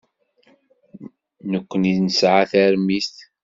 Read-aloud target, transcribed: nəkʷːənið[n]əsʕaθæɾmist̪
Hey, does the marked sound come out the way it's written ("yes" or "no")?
yes